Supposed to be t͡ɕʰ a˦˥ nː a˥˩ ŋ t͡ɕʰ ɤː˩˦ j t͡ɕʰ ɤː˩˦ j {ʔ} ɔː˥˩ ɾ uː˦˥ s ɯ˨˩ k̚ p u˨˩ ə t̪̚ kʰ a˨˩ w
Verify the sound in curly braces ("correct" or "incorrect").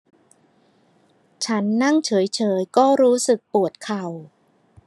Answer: incorrect